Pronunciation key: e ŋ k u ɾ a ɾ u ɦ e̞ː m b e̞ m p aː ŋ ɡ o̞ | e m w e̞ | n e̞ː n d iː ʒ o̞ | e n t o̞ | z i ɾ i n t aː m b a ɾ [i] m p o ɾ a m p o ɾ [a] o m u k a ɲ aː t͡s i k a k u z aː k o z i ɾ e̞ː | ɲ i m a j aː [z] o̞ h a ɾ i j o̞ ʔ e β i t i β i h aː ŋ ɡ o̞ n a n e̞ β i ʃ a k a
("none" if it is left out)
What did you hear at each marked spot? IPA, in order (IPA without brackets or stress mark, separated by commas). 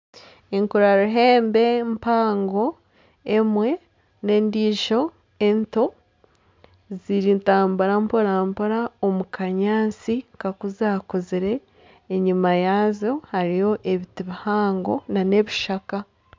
a, a, z